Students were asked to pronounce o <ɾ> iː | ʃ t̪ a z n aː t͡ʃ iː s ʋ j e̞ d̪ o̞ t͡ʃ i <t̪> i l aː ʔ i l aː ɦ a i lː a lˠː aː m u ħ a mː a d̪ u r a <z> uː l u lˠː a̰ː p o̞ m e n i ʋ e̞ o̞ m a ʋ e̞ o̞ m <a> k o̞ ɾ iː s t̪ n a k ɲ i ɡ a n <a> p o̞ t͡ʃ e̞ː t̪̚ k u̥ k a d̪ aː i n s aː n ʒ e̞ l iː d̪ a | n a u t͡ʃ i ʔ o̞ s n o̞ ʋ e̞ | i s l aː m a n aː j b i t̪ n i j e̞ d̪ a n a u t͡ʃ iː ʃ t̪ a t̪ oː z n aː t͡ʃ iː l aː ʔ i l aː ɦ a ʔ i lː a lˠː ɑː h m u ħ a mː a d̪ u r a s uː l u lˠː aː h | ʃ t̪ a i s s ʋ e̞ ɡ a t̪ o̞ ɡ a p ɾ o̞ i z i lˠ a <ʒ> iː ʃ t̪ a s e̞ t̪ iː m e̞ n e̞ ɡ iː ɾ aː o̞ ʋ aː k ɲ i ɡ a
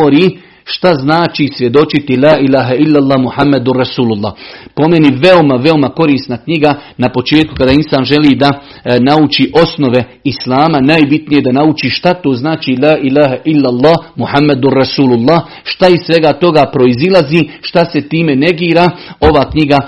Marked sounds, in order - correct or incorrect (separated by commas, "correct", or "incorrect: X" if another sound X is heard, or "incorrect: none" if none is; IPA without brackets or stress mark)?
correct, correct, incorrect: s, correct, correct, incorrect: z